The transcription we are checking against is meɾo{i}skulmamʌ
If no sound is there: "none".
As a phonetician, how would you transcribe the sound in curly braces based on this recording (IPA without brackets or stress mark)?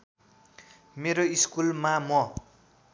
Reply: i